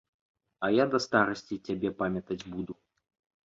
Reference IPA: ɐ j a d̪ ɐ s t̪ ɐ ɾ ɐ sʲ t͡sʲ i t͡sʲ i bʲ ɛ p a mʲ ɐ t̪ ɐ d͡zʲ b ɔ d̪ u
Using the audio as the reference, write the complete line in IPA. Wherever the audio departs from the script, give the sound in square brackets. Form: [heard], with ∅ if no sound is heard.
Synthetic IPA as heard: ɐ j a d̪ ɐ s t̪ [a] ɾ ɐ sʲ t͡sʲ i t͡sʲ [a] bʲ ɛ p a mʲ ɐ t̪ ɐ d͡zʲ b [u] d̪ u